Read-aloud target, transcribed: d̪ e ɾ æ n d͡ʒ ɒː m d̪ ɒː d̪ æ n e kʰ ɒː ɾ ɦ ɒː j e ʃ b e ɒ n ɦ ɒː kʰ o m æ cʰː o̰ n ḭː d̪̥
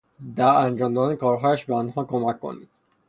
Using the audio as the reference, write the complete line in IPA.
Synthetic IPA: d̪ æ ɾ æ n d͡ʒ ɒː m d̪ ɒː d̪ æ n e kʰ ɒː ɾ ɦ ɒː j æ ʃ b e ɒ n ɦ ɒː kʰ o m æ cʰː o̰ n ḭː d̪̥